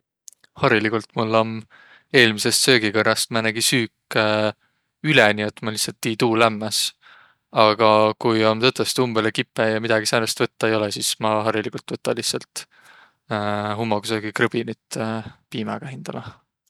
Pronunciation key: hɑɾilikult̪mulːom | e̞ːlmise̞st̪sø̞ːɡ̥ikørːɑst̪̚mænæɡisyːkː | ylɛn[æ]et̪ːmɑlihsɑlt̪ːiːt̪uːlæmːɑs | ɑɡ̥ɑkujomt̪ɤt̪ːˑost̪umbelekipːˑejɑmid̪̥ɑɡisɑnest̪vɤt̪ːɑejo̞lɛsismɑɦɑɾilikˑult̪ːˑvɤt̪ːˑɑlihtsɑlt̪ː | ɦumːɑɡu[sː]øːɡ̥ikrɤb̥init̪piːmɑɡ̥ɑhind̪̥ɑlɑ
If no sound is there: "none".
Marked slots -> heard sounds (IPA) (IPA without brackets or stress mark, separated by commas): i, s